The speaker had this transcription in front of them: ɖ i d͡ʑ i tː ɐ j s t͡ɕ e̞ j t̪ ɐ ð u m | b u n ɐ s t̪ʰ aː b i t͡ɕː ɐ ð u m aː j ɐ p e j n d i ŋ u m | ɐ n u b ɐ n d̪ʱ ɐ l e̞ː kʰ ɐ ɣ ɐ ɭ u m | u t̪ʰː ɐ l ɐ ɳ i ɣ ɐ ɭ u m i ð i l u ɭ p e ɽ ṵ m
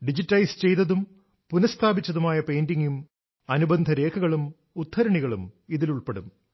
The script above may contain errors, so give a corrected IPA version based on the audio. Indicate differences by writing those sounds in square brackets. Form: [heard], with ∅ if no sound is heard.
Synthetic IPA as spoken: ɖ i d͡ʑ i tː ɐ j s t͡ɕ e̞ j t̪ ɐ ð u m | [p] u n ɐ s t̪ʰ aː b i t͡ɕː ɐ ð u m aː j ɐ p e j n d i ŋ u m | ɐ n u b ɐ n d̪ʱ ɐ [ɾ] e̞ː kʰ ɐ ɣ ɐ ɭ u m | u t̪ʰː ɐ [ɾ] ɐ ɳ i ɣ ɐ ɭ u m i ð i l u ɭ p e ɽ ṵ m